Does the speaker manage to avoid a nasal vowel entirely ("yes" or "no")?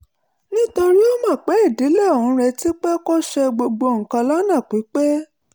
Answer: no